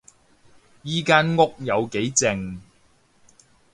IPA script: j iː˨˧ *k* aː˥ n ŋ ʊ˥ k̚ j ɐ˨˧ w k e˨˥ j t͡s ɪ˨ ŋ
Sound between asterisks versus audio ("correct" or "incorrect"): correct